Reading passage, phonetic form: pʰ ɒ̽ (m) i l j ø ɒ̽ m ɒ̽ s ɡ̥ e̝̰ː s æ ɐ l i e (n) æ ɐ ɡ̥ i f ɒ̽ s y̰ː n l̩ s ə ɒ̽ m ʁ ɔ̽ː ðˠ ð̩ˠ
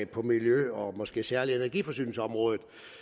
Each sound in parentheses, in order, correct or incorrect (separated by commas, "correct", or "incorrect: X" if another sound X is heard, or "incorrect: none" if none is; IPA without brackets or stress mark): correct, correct